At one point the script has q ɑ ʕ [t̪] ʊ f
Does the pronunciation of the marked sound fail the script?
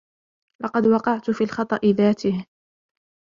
no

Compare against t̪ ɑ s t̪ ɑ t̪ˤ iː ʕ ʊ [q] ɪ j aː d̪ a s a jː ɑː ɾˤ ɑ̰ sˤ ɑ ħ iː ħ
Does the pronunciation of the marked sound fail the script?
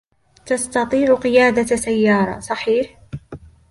no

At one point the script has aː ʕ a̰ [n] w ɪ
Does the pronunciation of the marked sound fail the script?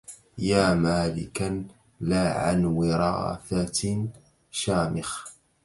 no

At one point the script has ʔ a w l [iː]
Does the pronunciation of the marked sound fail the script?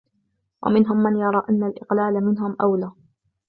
yes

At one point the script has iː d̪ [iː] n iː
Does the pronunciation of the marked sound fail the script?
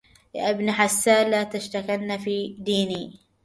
no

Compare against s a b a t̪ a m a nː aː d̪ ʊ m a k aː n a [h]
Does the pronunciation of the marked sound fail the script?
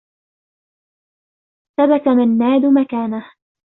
no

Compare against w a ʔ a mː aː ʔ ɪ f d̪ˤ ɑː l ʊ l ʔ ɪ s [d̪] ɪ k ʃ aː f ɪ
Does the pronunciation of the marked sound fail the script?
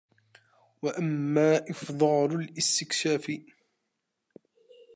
yes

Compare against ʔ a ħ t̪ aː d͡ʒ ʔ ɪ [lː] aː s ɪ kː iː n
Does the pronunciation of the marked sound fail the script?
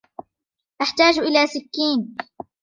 yes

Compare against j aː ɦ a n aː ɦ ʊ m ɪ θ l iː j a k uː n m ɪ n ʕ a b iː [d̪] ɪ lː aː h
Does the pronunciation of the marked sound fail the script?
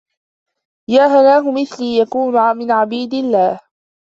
no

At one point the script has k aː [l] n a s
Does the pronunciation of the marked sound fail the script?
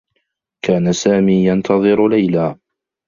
yes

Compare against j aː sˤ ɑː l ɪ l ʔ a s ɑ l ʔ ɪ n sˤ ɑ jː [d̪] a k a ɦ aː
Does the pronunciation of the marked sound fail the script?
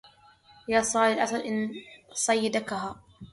no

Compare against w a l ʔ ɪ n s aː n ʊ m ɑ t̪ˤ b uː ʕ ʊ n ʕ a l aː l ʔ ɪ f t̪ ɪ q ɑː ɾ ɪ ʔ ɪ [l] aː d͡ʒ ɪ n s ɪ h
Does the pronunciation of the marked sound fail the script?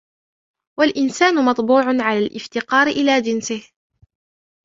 no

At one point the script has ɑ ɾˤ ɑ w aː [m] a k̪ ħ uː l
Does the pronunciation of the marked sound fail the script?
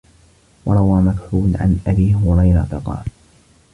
no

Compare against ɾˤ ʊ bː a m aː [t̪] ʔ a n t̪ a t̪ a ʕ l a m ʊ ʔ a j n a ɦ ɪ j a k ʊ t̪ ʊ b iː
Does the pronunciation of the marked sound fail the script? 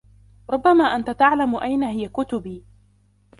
yes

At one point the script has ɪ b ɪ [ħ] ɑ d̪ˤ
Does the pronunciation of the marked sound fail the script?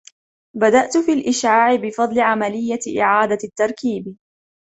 yes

